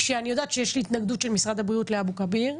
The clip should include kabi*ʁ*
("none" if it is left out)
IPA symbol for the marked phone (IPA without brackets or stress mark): ʁ